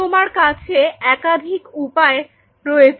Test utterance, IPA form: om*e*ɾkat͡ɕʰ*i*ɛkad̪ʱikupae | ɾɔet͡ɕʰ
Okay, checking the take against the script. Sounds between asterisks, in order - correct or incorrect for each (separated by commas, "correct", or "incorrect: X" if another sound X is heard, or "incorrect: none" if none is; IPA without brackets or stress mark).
incorrect: a, incorrect: e